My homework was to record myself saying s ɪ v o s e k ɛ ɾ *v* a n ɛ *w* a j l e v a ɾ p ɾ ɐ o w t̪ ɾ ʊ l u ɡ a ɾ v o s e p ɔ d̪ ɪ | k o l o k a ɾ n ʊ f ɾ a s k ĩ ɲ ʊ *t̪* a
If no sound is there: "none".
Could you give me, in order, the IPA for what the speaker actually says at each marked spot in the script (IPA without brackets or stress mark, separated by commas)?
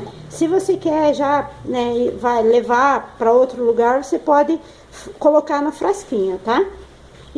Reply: ʒ, v, t̪